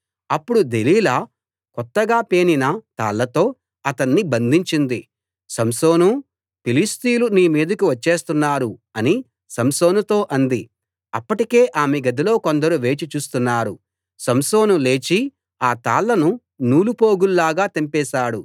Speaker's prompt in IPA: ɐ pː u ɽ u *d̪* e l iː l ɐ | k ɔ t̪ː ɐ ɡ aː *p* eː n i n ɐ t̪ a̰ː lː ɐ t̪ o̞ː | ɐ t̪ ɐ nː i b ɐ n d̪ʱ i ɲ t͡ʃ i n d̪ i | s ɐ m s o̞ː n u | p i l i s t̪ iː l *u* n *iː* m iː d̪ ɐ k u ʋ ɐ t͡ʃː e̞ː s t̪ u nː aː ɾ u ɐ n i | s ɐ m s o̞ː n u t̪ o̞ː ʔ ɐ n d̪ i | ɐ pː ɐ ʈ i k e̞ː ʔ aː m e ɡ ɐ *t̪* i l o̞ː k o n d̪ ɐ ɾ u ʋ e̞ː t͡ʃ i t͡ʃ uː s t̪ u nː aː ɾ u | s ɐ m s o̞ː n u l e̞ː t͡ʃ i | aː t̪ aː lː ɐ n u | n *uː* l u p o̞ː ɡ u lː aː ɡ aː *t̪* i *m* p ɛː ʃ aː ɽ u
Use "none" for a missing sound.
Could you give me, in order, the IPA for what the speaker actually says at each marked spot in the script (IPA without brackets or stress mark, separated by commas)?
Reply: d̪, p, u, iː, d̪, uː, t̪, m